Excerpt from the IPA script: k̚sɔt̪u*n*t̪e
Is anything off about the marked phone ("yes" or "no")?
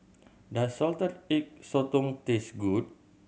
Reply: yes